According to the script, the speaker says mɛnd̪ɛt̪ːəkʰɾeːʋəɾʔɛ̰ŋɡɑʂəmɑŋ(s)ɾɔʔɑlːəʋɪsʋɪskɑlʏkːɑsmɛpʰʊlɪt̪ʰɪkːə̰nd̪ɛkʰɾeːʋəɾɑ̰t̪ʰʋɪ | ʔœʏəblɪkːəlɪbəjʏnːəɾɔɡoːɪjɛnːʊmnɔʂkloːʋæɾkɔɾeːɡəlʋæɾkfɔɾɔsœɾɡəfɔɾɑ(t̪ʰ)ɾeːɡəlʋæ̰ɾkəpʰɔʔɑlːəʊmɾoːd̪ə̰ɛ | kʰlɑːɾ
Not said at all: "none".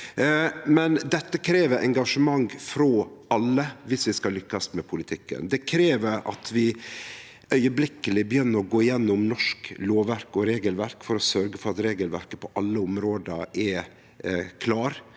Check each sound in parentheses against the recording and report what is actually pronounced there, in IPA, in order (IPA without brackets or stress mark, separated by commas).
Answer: f, t̪